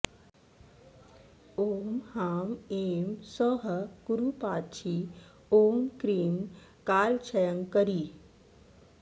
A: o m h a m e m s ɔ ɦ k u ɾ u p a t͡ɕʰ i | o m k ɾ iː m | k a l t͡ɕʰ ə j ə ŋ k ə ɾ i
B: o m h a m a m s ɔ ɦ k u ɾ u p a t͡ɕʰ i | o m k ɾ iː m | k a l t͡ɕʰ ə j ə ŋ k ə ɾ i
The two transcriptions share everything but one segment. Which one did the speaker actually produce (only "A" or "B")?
A